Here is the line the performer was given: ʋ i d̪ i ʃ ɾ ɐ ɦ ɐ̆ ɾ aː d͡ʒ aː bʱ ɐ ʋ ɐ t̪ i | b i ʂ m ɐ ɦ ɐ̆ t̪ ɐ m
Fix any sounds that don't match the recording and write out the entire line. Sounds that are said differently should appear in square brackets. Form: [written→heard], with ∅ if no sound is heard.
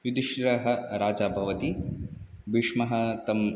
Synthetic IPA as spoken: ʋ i d̪ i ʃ ɾ ɐ ɦ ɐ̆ ɾ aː d͡ʒ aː bʱ ɐ ʋ ɐ t̪ i | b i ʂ m ɐ ɦ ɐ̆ t̪ ɐ m

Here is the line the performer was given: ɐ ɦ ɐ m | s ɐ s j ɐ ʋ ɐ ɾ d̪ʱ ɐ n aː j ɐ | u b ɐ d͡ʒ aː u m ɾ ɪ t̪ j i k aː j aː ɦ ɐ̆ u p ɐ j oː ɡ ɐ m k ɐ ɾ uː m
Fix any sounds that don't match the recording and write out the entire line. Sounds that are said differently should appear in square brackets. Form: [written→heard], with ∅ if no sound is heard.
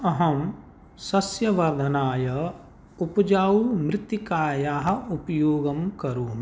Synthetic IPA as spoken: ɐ ɦ ɐ m | s ɐ s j ɐ ʋ ɐ ɾ d̪ʱ ɐ n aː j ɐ | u [b→p] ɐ d͡ʒ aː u m ɾ ɪ t̪ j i k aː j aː ɦ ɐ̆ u p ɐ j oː ɡ ɐ m k ɐ ɾ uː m

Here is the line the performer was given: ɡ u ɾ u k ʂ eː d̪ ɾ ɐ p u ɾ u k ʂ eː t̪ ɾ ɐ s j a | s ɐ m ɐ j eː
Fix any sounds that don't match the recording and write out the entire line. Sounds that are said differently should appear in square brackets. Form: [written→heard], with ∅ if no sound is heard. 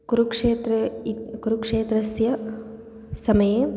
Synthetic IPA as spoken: [ɡ→k] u ɾ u k ʂ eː [d̪→t̪] ɾ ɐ [p→k] u ɾ u k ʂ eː t̪ ɾ ɐ s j [a→ɐ] | s ɐ m ɐ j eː

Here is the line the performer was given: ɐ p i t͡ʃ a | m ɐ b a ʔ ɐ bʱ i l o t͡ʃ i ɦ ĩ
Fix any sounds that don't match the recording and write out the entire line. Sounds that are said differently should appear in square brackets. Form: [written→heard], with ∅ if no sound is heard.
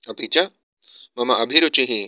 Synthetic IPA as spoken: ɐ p i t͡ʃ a | m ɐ [b→m] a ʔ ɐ bʱ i [l→ɾ] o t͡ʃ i ɦ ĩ

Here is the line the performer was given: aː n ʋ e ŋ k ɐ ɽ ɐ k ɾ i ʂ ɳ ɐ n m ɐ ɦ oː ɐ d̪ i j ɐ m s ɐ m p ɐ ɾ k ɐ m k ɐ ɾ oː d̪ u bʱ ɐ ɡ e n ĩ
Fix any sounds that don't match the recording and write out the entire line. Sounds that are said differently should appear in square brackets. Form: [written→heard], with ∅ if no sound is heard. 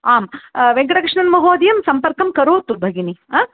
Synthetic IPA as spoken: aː [n→m] ʋ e ŋ k ɐ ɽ ɐ k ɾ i ʂ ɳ ɐ n m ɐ ɦ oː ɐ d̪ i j ɐ m s ɐ m p ɐ ɾ k ɐ m k ɐ ɾ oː [d̪→t̪] u bʱ ɐ ɡ [e→i] n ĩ

